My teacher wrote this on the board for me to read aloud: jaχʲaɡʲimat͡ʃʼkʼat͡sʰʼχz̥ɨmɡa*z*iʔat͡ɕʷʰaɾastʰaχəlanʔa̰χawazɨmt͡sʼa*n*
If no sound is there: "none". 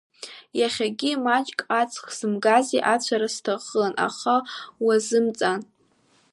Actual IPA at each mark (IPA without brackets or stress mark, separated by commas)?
z, n